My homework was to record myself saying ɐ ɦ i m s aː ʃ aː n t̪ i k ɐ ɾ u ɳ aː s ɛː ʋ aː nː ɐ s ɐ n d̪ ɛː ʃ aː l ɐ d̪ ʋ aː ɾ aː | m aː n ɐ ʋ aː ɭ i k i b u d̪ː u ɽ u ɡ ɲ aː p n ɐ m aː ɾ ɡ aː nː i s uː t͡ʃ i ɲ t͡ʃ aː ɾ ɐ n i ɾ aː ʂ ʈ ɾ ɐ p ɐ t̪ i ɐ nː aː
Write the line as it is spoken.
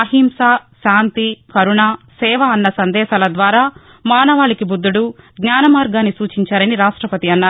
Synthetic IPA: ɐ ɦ i m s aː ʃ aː n t̪ i k ɐ ɾ u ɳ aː s ɛː ʋ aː nː ɐ s ɐ n d̪ ɛː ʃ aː l ɐ d̪ ʋ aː ɾ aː | m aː n ɐ ʋ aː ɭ i k i b u d̪ː u ɽ u ɡ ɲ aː n ɐ m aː ɾ ɡ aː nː i s uː t͡ʃ i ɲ t͡ʃ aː ɾ ɐ n i ɾ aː ʂ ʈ ɾ ɐ p ɐ t̪ i ɐ nː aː